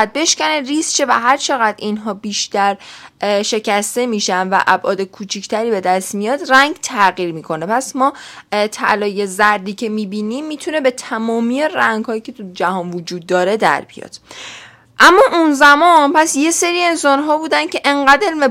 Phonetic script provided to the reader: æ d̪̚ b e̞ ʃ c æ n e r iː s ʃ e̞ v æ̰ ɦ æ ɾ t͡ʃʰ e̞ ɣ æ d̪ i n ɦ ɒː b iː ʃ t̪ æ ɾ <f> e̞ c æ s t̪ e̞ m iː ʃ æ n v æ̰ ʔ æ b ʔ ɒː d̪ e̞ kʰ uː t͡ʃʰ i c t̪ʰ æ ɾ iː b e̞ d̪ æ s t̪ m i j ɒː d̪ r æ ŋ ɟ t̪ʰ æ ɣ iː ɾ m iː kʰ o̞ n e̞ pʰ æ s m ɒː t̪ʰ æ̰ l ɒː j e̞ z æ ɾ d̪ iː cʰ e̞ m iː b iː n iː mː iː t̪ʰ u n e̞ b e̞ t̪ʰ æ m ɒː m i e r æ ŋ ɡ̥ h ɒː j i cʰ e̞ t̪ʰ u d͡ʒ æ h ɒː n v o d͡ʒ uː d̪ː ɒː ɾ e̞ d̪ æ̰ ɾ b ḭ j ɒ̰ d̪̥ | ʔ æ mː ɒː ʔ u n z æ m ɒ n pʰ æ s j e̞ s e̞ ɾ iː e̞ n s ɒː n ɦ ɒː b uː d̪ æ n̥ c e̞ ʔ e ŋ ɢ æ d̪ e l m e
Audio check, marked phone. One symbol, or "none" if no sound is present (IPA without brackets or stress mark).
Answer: ʃ